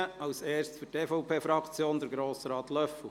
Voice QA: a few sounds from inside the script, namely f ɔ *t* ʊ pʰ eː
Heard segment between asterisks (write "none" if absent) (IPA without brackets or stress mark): none